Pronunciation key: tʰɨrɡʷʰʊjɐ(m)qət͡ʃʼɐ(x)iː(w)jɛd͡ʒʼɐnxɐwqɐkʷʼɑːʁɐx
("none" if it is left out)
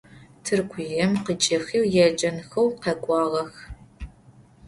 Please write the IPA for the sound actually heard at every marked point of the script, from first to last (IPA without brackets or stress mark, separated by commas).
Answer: m, x, w